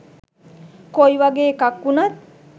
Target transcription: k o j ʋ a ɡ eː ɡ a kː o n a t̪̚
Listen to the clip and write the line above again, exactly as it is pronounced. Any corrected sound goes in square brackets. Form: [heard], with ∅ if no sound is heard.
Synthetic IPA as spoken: k o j ʋ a ɡ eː [k] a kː [u] n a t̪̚